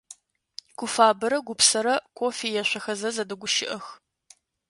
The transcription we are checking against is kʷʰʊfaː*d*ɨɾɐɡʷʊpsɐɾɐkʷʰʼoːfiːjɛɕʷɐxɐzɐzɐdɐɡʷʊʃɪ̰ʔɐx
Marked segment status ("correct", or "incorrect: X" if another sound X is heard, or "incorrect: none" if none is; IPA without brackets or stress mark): incorrect: b